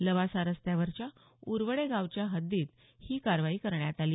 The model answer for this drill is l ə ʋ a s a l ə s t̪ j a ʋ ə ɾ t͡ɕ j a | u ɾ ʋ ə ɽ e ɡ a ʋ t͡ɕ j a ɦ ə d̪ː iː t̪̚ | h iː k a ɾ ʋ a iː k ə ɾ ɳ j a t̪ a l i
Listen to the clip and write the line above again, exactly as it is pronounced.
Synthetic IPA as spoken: l ə ʋ a s a ɾ ə s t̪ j a ʋ ə ɾ t͡ɕ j a | u ɾ ʋ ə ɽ e ɡ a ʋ t͡ɕ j a ɦ ə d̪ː iː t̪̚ | h iː k a ɾ ʋ a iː k ə ɾ ɳ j a t̪ a l i